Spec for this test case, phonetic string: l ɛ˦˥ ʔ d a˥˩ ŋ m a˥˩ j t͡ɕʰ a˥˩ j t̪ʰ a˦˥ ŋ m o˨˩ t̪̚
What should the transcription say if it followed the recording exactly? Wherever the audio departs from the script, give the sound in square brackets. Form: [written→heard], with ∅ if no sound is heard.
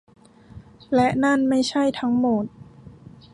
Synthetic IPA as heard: l ɛ˦˥ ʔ [d→n] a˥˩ [ŋ→n] m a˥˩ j t͡ɕʰ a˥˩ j t̪ʰ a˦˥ ŋ m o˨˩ t̪̚